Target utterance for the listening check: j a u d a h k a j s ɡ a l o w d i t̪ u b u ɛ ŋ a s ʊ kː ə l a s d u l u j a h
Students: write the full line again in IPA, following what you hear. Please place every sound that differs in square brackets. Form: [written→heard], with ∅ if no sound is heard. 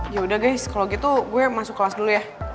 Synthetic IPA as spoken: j a u d a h [k→ɡ] a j s [ɡ→k] a l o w [d→ɡ] i t̪ u [b→ɡ] u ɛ [ŋ→m] a s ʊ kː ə l a s d u l u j a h